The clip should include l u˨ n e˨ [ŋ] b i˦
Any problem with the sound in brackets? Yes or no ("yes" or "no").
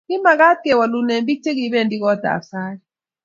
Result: yes